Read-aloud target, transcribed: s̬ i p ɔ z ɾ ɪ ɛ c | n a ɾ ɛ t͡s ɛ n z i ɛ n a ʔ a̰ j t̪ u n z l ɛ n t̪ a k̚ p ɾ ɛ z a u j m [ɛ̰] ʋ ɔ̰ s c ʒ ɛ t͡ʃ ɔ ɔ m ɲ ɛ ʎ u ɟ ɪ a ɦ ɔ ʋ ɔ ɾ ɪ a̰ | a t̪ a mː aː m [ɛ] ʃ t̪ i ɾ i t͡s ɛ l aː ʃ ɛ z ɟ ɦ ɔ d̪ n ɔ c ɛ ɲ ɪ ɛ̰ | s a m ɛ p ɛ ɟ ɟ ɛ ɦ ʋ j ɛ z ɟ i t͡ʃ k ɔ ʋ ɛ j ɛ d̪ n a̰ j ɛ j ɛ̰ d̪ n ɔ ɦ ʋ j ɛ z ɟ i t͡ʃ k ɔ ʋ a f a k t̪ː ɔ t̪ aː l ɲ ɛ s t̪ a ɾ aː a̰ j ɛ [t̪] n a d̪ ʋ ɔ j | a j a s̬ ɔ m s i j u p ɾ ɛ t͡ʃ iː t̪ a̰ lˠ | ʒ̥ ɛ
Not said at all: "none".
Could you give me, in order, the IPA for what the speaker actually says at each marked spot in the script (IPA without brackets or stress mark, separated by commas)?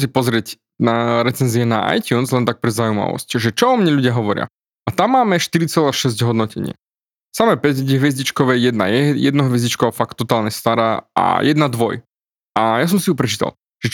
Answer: a̰, ɛ, d̪